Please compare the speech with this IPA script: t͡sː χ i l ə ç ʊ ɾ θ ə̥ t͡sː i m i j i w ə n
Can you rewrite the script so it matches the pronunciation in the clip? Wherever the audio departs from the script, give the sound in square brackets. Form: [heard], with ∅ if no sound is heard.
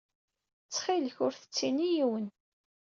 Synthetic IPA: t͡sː χ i l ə ç ʊ ɾ θ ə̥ t͡sː i [n] i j i w ə n